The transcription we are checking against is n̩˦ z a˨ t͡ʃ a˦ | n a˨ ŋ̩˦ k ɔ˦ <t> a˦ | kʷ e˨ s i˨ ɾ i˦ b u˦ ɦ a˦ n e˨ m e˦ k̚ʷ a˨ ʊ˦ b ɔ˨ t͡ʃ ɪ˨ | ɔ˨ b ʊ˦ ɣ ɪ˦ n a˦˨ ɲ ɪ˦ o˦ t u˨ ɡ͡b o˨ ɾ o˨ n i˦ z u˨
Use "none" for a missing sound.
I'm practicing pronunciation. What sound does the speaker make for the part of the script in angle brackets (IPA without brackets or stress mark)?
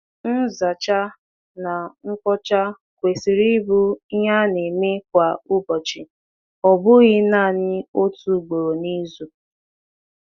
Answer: t͡ʃ